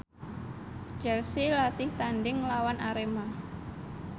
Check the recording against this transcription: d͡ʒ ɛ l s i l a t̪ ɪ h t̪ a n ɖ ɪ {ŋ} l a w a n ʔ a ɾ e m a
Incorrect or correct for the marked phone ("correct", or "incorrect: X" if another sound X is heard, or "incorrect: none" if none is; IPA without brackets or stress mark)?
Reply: correct